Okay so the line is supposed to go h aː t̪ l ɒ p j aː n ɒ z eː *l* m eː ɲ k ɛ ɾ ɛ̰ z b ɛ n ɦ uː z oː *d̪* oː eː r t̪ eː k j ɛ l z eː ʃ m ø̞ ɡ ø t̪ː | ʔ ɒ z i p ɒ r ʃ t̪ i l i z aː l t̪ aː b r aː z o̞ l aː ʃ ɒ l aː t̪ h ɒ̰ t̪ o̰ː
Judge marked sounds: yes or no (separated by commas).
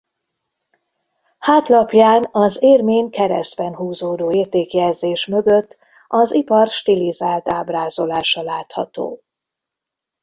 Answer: no, yes